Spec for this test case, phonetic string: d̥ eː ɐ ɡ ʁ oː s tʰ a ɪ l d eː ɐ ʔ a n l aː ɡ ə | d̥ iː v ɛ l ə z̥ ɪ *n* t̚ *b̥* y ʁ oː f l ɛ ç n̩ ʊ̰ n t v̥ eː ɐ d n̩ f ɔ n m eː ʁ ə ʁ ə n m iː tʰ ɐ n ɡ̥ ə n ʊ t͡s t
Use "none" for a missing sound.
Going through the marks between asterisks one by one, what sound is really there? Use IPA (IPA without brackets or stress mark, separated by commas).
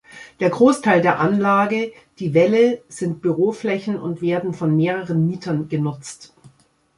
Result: n, b̥